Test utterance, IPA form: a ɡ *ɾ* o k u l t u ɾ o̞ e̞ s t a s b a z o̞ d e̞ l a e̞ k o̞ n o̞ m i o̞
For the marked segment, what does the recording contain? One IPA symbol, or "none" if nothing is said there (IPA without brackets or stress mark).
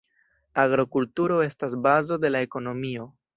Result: ɾ